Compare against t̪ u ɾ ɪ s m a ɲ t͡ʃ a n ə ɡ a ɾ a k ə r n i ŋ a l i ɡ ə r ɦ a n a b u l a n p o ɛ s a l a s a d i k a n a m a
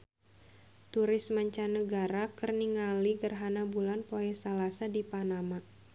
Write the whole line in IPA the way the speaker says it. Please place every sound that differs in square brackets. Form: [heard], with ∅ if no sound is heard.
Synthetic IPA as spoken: t̪ u ɾ ɪ s m a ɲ t͡ʃ a n ə ɡ a ɾ a k ə r n i ŋ a l i ɡ ə r ɦ a n a b u l a n p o ɛ s a l a s a d i [p] a n a m a